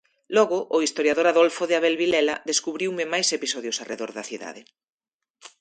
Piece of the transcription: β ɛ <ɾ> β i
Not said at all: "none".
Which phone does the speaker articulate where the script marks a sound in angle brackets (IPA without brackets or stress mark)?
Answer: l